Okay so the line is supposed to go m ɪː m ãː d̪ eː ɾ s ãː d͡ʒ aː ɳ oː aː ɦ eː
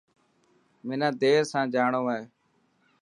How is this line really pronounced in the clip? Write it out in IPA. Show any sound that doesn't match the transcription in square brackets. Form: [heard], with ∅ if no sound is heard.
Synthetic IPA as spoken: m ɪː [n] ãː d̪ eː ɾ s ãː d͡ʒ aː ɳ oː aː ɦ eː

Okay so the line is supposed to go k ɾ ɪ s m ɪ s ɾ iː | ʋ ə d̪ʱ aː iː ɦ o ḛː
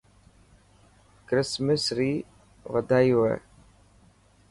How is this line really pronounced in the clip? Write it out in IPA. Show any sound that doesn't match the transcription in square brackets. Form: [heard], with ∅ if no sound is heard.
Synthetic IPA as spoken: k ɾ ɪ s m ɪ s ɾ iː | ʋ ə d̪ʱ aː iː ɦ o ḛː

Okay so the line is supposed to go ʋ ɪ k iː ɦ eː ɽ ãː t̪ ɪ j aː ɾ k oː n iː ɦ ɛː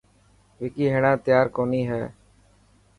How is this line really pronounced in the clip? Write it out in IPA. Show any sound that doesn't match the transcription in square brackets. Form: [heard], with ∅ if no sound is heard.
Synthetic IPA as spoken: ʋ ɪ k iː ɦ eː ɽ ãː t̪ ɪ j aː ɾ k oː n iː ɦ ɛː

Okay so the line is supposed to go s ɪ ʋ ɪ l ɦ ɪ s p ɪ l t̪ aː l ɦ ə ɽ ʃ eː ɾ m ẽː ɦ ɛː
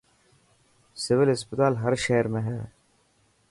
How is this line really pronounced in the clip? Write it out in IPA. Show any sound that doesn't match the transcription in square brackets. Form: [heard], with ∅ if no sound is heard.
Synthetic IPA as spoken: s ɪ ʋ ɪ l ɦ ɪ s p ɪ [∅] t̪ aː l ɦ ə [ɾ] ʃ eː ɾ m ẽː ɦ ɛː

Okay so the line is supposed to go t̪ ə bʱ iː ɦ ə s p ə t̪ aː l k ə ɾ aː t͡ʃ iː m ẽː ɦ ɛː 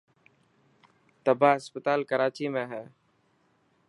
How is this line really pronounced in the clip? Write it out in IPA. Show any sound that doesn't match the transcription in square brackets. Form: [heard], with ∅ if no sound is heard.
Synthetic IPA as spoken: t̪ ə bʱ [aː] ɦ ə s p ə t̪ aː l k ə ɾ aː t͡ʃ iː m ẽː ɦ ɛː

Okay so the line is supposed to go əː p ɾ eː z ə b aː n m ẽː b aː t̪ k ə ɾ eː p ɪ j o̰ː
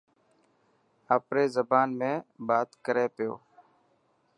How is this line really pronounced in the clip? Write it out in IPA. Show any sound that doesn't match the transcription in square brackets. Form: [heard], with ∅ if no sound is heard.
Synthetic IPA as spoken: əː p ɾ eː z ə b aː n m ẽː b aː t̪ k ə ɾ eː p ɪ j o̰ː

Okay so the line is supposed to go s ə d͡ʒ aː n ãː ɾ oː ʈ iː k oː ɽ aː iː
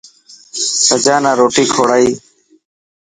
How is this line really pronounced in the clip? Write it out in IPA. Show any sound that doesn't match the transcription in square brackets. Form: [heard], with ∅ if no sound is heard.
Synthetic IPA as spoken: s ə d͡ʒ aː n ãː ɾ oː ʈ iː [kʰ] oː ɽ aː iː

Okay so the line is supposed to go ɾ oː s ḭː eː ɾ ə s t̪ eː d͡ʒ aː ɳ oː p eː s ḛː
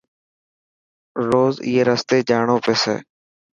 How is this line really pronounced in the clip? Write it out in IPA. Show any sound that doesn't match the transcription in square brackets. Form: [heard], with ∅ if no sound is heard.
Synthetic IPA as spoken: ɾ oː [z] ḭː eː ɾ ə s t̪ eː d͡ʒ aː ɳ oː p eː s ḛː

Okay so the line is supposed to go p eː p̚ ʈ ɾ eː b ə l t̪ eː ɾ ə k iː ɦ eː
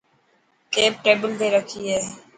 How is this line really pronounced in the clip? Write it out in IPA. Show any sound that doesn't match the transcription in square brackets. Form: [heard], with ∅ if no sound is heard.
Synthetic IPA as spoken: [k] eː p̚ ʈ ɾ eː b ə l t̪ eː ɾ ə [kʰ] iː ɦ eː

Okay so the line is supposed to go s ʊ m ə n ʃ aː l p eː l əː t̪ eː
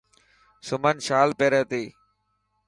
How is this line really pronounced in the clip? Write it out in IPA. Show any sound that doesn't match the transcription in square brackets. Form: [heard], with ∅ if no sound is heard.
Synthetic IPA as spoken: s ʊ m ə n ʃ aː l p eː [ɾ] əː t̪ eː

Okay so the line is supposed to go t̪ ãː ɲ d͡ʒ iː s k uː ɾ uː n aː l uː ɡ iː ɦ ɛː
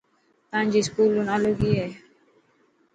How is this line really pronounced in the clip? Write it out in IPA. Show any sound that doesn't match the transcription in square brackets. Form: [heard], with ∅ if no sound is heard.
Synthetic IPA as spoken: t̪ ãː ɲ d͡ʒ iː s k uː [l] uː n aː l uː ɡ iː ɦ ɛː

